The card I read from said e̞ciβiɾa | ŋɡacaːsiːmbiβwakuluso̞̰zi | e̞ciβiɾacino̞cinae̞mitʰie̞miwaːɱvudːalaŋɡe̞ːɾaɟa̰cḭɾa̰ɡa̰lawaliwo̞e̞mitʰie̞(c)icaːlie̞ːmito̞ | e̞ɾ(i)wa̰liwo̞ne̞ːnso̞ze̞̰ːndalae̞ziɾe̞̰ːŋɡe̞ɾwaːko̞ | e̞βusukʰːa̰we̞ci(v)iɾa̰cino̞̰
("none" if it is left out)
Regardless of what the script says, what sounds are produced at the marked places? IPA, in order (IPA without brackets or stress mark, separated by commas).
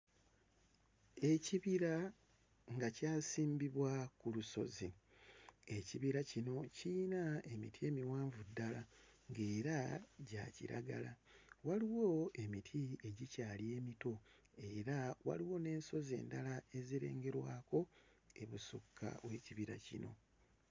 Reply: ɟ, a, β